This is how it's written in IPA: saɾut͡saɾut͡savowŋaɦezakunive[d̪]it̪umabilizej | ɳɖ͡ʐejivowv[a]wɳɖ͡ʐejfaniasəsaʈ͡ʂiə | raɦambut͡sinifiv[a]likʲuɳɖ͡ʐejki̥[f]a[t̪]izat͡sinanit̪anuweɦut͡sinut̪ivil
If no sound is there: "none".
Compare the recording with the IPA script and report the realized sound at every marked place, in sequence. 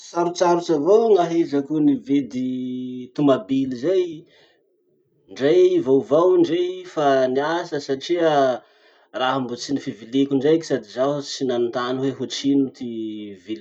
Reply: d̪, a, i, s, d̪

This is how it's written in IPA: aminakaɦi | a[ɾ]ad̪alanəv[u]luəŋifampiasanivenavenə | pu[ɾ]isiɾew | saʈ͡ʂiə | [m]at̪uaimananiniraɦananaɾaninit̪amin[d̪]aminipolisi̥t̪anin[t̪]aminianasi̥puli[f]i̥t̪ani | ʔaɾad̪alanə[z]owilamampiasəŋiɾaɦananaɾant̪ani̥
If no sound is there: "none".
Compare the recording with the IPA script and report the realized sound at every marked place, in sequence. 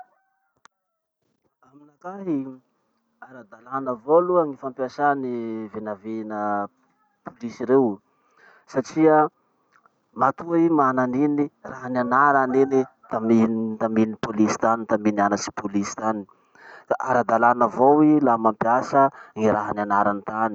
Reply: ɾ, o, l, m, t̪, t̪, s, v

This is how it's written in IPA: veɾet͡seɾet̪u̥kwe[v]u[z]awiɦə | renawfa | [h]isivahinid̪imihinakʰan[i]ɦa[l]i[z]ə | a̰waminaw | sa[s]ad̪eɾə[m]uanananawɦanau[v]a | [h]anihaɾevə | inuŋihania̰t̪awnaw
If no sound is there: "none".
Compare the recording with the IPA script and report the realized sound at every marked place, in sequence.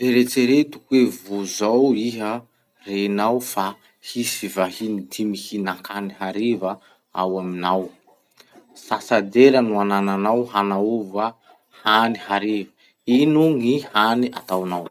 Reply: v, z, h, i, ɾ, v, s, n, v, h

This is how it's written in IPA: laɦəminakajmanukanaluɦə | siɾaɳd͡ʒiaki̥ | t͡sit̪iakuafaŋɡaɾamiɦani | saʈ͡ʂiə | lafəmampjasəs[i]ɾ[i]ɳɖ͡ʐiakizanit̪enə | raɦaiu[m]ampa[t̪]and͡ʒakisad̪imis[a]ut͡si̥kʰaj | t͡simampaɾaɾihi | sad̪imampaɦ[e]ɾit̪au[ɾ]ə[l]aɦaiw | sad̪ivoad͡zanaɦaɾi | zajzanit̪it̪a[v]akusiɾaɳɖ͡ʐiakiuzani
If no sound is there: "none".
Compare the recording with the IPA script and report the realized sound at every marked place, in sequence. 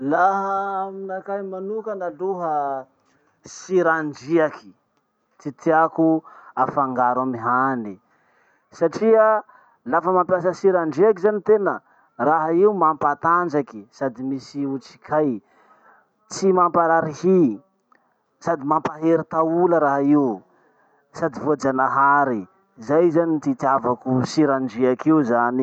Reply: i, a, m, t̪, i, e, l, ɾ, v

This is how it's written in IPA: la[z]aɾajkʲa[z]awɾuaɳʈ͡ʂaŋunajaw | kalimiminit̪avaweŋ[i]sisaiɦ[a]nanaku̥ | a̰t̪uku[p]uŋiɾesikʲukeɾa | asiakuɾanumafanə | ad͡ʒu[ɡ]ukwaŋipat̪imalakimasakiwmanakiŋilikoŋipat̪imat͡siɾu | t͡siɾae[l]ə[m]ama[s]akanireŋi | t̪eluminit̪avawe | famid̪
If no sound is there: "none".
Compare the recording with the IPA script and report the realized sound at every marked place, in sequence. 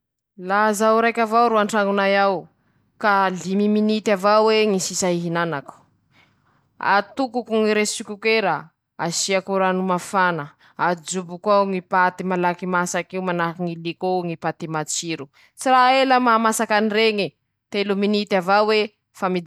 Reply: z, v, i, i, k, b, l, m, s

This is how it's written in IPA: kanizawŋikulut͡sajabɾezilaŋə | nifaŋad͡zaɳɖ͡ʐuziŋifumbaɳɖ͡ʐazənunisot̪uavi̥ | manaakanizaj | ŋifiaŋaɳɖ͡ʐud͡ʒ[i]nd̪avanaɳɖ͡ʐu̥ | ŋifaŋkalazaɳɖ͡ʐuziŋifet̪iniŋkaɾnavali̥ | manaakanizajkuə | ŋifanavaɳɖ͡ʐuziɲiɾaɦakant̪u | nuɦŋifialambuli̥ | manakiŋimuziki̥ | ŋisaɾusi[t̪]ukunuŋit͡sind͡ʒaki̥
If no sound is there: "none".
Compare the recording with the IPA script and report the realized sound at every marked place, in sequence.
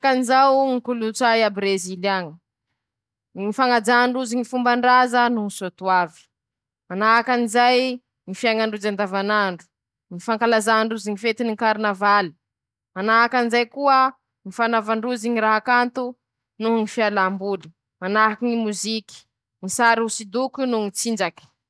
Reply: a, d̪

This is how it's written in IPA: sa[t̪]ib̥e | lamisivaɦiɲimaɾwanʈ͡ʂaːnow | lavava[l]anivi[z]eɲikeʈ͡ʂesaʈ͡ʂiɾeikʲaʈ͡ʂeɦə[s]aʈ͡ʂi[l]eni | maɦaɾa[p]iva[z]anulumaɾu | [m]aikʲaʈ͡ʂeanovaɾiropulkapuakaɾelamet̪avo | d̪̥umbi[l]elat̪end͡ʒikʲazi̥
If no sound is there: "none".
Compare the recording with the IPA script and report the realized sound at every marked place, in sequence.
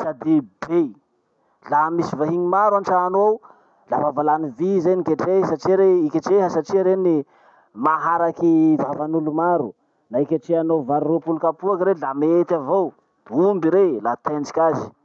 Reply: d̪, l, z, s, ɾ, k, v, n, ɾ

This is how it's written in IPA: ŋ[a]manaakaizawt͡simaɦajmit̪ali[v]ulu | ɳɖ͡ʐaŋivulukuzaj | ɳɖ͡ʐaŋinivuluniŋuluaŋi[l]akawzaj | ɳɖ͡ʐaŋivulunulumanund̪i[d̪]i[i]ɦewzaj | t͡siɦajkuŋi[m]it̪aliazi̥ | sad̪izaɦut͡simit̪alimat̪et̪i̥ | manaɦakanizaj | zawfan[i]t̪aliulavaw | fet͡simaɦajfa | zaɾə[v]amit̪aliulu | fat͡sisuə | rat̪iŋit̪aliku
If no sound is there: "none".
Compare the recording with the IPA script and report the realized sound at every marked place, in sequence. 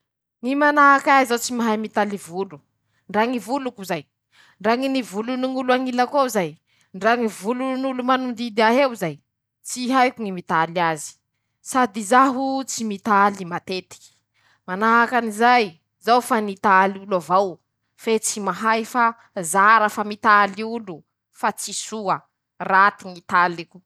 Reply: i, v, l, d̪, a, m, i, f

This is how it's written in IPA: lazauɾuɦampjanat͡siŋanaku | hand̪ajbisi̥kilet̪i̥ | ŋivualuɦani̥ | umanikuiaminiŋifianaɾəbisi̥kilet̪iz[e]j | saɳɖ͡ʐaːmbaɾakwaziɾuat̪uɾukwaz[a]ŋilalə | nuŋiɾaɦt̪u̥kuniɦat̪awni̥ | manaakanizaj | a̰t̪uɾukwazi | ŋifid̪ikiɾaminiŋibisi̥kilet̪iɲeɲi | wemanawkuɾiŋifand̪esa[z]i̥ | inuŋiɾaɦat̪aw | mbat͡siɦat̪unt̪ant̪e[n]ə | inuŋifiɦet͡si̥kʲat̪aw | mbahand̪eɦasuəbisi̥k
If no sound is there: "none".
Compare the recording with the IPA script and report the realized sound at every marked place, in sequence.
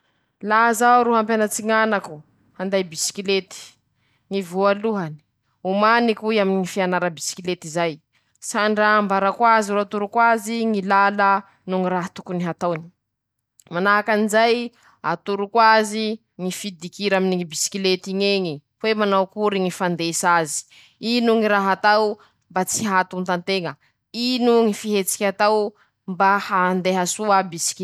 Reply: a, i, z, ŋ

